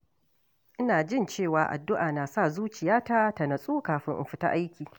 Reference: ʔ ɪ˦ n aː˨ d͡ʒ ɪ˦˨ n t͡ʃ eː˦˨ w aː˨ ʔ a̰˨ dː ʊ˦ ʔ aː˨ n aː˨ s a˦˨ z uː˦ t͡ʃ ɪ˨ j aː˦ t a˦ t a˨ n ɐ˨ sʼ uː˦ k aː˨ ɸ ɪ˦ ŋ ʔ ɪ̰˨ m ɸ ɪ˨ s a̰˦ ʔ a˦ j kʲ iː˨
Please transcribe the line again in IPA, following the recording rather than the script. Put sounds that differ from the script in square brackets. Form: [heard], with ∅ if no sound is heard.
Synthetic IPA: ʔ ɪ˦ n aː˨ d͡ʒ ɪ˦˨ n t͡ʃ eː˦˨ w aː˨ ʔ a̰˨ dː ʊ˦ ʔ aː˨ n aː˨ s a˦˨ z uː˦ t͡ʃ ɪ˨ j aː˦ t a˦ t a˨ n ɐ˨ sʼ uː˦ k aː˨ ɸ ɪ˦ ŋ ʔ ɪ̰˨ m ɸ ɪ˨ [t] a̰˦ ʔ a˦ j kʲ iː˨